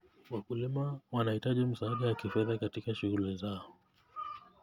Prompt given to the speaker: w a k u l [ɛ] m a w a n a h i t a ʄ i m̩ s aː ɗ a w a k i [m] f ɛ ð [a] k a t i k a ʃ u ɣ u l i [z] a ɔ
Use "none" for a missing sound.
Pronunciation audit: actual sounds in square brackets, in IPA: i, none, a, z

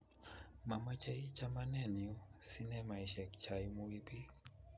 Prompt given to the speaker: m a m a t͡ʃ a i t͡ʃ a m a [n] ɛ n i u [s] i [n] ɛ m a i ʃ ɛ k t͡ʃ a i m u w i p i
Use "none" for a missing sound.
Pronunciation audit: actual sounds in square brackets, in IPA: n, s, n

